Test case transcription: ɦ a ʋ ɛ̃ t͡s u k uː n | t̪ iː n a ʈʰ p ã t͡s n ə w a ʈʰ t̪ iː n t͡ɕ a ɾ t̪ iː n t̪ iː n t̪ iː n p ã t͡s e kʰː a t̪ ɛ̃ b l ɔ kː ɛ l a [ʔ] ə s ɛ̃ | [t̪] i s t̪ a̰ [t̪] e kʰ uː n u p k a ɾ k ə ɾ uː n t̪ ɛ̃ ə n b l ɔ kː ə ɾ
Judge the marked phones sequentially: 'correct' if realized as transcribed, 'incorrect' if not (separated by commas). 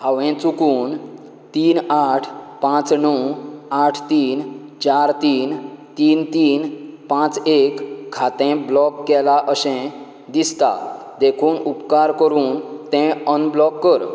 correct, incorrect, incorrect